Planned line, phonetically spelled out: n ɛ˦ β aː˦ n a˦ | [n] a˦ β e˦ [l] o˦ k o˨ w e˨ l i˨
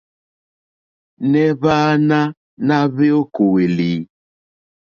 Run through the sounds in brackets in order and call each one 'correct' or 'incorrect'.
correct, incorrect: none

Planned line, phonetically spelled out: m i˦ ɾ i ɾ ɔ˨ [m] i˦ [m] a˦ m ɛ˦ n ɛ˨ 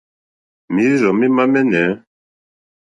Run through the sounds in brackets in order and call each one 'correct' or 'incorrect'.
correct, correct

